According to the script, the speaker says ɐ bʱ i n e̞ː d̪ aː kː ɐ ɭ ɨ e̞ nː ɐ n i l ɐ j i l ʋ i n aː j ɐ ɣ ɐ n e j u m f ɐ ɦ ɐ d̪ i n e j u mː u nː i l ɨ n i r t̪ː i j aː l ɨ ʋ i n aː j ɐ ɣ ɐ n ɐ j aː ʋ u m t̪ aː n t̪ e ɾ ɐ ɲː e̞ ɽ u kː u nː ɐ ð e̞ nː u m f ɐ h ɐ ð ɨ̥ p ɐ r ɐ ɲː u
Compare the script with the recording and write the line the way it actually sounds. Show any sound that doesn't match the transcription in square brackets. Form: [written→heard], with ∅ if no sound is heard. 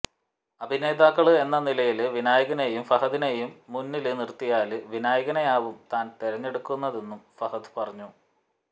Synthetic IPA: ɐ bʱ i n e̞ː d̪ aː kː ɐ ɭ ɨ e̞ nː ɐ n i l ɐ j i l ʋ i n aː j ɐ ɣ ɐ n e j u m f ɐ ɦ ɐ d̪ i n e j u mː u nː i l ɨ n i r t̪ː i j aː l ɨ ʋ i n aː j ɐ ɣ ɐ n ɐ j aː ʋ u m t̪ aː n t̪ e ɾ ɐ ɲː e̞ ɽ u kː u nː ɐ ð e̞ nː u m f ɐ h ɐ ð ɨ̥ p ɐ r ɐ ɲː u